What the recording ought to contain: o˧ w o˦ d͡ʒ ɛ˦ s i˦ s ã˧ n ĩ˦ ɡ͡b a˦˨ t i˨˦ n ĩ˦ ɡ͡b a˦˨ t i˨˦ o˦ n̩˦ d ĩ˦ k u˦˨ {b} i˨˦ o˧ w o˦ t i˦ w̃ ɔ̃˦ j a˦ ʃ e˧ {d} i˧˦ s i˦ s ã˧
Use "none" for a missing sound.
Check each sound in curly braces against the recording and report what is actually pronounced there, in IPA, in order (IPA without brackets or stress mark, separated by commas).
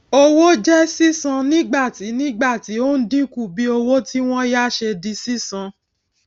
b, d